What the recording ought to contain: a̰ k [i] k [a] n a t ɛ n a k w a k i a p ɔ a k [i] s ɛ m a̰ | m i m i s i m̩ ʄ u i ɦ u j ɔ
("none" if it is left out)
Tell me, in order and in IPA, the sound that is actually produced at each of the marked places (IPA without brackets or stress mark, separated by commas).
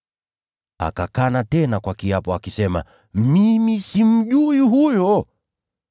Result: a, a, i